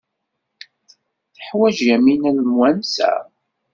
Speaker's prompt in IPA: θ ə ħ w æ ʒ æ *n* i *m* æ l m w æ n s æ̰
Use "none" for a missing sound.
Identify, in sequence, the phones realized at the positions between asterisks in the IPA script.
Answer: m, n

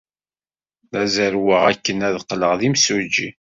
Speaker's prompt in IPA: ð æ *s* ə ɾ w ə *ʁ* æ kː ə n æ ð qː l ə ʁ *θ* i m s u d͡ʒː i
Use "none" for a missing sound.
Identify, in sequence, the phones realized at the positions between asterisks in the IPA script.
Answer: z, ʁ, ð

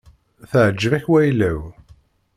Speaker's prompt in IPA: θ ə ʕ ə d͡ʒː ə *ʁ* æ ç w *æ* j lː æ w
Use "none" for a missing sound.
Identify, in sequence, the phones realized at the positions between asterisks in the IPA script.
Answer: v, æ

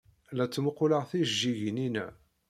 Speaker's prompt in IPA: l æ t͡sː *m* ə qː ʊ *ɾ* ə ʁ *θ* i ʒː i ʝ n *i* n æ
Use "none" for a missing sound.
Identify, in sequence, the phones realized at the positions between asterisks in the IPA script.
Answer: m, l, θ, i

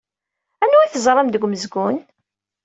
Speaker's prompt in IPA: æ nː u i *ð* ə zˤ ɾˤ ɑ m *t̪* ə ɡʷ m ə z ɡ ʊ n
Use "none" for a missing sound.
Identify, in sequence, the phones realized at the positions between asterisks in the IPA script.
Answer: θ, d̪

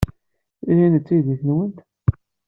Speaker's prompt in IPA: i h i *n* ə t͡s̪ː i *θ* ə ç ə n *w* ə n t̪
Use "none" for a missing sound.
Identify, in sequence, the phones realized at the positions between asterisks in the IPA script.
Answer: n, ð, w

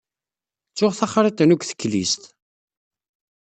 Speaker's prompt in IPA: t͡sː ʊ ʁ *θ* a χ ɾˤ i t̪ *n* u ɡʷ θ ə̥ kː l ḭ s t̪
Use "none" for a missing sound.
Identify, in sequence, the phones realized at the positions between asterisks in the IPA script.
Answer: θ, n

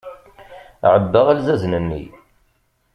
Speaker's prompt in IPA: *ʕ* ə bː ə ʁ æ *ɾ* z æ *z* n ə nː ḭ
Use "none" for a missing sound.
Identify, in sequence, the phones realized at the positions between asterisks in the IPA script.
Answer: ʕ, l, z

